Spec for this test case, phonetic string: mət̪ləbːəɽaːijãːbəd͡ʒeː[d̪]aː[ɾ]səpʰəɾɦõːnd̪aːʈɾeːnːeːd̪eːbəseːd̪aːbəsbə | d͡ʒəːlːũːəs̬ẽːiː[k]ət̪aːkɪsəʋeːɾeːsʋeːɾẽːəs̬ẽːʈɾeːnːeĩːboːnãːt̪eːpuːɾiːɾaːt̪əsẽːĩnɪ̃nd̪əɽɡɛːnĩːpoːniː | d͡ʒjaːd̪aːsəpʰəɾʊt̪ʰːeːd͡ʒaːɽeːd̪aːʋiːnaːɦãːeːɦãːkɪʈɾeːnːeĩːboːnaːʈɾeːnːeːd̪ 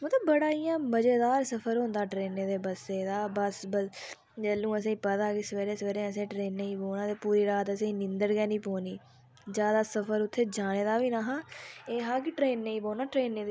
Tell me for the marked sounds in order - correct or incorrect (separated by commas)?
correct, correct, incorrect